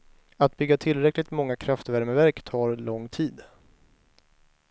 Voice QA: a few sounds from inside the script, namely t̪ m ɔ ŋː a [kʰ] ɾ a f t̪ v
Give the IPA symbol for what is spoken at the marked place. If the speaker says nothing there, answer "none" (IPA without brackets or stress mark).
kʰ